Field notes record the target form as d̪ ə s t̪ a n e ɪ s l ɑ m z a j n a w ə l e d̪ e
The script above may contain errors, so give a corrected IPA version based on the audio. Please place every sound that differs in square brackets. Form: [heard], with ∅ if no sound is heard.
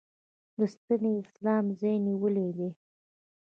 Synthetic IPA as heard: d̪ ə s t̪ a n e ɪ s l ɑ m z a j n [i] w ə l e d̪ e